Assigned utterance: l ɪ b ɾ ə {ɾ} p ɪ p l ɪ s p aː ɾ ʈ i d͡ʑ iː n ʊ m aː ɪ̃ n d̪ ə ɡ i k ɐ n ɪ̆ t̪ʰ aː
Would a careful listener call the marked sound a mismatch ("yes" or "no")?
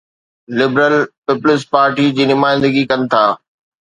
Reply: yes